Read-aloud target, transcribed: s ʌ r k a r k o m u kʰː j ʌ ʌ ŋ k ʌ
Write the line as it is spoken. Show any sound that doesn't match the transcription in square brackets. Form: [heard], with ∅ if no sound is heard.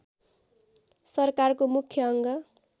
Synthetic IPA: s ʌ r k a r k o m u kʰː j ʌ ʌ ŋ [ɡ] ʌ